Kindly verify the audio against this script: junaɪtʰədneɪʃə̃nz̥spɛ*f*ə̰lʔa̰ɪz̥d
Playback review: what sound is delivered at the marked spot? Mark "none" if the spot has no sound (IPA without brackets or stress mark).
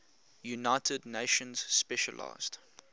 ʃ